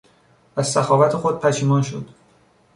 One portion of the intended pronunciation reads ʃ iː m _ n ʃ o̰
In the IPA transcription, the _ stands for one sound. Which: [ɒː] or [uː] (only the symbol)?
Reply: ɒː